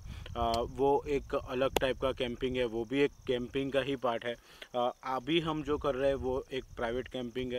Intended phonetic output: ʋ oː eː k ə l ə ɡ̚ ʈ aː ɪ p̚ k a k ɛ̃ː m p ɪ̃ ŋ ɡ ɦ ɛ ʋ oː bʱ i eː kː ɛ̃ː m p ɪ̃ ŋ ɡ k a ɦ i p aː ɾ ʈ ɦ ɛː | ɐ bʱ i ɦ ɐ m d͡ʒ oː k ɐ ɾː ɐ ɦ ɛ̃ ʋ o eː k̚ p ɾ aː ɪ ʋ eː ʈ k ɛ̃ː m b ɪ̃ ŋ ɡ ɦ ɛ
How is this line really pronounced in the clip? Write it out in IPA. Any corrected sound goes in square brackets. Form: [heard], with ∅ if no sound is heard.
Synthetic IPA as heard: ʋ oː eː k [ɐ] l ə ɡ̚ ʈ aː ɪ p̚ k a k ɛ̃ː m p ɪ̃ ŋ ɡ ɦ ɛ ʋ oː bʱ i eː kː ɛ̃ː m p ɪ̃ ŋ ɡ k a ɦ i p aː ɾ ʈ ɦ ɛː | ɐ bʱ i ɦ ɐ m d͡ʒ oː k ɐ ɾː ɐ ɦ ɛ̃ ʋ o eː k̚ p ɾ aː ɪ ʋ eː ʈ k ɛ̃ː m [p] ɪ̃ ŋ ɡ ɦ ɛ

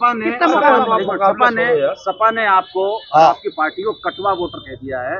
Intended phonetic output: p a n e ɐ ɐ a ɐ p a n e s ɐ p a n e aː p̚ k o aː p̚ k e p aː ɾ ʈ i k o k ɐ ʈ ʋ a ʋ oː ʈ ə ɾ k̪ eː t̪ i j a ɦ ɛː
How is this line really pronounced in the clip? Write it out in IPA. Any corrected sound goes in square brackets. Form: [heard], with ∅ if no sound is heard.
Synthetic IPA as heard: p a n e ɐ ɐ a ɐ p a n e s ɐ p a n e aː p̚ k o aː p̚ k [i] p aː ɾ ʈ i k o k ɐ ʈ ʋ a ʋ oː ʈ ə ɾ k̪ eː [d̪] i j a ɦ ɛː

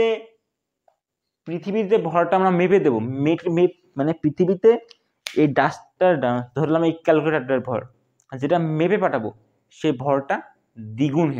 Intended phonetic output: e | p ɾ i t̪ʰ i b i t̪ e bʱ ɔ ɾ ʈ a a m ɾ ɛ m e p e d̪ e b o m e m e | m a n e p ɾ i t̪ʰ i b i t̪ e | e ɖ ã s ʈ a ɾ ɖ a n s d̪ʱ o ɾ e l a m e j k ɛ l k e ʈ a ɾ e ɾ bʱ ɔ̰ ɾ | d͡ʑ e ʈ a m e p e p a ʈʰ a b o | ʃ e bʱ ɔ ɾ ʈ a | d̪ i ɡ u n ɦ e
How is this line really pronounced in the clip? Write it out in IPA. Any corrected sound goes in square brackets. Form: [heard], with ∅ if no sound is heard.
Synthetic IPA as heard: e | p ɾ i t̪ʰ i b i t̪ e bʱ ɔ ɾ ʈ a a m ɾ [a] m e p e d̪ e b o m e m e | m a n e p ɾ i t̪ʰ i b i t̪ e | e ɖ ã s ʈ a ɾ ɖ a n s d̪ʱ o ɾ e l a m e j k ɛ l k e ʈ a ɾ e ɾ bʱ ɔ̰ ɾ | d͡ʑ e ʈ a m e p e p a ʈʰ a b o | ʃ e bʱ ɔ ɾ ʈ a | d̪ i ɡ u n ɦ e

